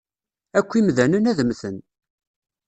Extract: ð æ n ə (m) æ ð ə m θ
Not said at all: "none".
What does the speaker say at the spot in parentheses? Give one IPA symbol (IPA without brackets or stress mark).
n